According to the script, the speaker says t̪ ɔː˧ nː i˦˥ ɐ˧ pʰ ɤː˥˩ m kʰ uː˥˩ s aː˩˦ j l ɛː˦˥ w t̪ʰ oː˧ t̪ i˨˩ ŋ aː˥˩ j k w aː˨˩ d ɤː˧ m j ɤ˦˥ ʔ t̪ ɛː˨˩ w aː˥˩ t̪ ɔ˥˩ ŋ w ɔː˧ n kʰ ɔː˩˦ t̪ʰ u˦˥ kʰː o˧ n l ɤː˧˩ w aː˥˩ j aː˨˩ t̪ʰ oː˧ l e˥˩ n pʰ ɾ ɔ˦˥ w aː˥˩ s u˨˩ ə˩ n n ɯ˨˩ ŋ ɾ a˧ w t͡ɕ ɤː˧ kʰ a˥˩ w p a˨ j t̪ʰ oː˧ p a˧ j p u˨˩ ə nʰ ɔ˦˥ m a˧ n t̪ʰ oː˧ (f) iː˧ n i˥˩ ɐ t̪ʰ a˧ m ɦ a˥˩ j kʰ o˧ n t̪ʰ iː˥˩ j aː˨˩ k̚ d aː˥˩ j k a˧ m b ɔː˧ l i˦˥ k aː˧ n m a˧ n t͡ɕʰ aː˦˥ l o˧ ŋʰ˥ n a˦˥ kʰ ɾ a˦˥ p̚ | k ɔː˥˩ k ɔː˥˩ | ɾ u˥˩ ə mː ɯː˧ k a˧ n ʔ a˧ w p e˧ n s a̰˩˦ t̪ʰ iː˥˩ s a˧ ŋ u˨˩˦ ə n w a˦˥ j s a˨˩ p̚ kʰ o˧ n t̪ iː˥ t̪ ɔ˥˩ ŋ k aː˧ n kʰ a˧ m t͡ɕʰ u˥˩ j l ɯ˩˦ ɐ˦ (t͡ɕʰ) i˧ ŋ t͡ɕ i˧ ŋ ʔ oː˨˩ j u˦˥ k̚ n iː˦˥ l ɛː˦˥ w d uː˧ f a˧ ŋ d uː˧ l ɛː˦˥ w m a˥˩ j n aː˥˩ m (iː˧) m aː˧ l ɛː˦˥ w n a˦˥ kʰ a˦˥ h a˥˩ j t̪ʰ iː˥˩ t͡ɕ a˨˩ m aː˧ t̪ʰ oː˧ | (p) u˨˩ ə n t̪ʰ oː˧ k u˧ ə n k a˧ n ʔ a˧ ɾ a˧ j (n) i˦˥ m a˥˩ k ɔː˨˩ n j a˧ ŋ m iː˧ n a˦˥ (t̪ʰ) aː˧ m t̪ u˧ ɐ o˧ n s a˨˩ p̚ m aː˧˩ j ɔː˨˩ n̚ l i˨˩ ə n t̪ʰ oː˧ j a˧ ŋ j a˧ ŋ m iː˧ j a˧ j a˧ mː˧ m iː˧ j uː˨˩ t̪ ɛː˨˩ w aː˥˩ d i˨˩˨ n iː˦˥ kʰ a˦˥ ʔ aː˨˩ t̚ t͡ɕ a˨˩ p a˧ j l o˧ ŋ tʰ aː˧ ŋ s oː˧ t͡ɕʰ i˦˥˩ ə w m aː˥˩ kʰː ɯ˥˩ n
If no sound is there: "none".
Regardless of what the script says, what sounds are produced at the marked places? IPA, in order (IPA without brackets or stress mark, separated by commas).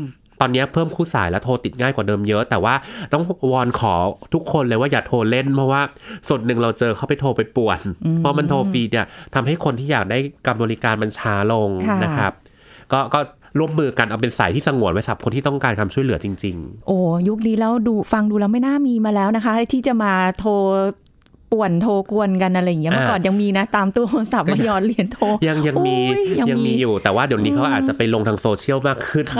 f, t͡ɕ, iː˧, p, ŋ, t̪